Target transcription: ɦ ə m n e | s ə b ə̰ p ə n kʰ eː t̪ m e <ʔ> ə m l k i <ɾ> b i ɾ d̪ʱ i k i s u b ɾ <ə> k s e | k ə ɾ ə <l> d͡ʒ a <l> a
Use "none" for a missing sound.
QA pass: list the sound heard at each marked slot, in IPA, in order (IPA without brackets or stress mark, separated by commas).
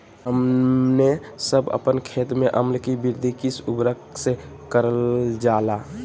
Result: ʔ, none, ə, l, l